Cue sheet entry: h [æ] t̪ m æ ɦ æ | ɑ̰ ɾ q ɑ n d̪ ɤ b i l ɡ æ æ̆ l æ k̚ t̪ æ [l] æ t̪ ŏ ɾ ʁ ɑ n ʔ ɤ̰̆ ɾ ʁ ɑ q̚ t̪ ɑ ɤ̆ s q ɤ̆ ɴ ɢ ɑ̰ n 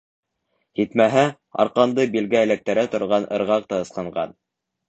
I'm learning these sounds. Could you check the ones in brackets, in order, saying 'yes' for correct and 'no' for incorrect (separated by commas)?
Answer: no, no